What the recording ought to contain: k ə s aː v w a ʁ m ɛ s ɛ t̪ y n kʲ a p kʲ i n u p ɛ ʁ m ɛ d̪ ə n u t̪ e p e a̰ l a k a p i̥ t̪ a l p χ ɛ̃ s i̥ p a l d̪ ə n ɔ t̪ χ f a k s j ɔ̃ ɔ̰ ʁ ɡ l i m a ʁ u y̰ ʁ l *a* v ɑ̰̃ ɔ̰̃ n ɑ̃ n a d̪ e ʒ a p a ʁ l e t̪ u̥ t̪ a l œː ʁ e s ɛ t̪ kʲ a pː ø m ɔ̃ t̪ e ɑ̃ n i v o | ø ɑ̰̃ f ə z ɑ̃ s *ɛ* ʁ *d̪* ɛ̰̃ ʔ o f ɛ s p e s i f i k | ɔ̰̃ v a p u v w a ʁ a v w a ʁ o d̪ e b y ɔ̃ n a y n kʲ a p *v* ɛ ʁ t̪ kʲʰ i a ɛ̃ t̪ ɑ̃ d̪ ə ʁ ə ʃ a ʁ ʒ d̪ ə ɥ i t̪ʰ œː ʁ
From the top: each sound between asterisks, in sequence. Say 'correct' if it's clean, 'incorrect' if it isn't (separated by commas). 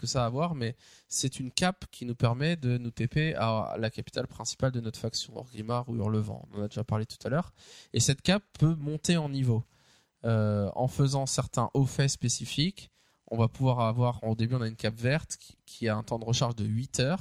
incorrect, correct, incorrect, correct